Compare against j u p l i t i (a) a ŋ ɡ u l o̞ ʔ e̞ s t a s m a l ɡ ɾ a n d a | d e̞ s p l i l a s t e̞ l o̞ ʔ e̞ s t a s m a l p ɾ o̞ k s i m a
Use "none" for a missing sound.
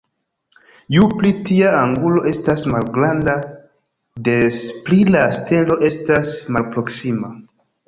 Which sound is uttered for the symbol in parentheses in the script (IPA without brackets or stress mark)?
a